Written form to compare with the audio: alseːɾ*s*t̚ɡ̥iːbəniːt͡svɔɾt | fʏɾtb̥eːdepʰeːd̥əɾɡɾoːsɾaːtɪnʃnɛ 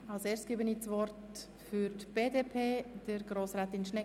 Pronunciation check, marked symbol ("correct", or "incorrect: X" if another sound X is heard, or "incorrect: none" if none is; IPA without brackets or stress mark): correct